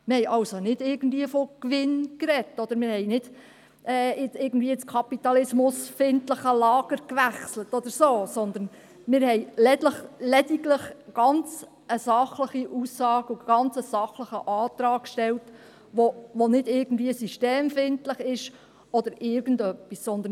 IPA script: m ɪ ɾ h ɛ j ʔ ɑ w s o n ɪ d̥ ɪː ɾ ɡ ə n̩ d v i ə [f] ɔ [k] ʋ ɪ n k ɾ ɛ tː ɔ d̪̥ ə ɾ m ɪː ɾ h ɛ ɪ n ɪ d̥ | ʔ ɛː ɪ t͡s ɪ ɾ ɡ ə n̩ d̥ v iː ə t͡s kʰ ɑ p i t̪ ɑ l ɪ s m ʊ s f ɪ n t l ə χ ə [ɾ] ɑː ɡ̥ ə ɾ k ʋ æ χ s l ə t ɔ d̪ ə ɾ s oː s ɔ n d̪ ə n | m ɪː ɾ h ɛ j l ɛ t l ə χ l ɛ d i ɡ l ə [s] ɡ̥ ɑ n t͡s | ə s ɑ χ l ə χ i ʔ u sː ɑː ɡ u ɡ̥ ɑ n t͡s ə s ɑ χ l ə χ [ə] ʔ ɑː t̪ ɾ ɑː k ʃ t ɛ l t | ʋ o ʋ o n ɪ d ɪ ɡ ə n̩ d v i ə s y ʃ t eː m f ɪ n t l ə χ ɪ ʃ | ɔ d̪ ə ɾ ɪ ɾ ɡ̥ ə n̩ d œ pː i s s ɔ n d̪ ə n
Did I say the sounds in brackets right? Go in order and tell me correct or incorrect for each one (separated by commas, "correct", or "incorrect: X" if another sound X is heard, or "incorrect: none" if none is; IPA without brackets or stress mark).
correct, correct, incorrect: l, incorrect: χ, correct